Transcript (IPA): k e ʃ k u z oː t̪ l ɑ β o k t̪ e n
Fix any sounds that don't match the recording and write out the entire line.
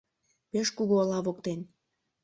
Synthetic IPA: p e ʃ k u ɣ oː l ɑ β o k t̪ e n